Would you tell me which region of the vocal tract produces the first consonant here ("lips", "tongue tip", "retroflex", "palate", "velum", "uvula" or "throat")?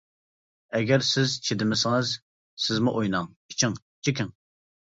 velum